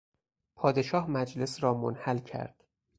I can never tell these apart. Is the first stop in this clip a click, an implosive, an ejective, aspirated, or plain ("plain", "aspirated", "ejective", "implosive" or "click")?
aspirated